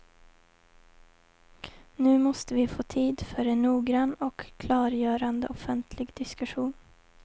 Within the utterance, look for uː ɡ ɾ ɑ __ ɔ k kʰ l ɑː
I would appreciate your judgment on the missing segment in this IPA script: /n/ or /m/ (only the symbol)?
n